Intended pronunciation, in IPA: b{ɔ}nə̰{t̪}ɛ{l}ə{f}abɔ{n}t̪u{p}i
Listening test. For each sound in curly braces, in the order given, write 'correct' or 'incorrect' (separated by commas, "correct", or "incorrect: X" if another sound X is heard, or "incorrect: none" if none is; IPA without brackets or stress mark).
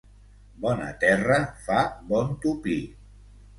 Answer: correct, correct, incorrect: r, correct, correct, correct